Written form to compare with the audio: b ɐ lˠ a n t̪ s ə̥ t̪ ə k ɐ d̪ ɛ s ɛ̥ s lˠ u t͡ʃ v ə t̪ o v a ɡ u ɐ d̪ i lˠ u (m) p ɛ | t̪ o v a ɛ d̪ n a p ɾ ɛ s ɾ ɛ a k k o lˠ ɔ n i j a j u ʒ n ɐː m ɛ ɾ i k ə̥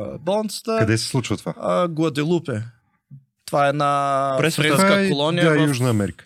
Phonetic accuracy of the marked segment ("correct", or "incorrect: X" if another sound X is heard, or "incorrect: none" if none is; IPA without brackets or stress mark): incorrect: none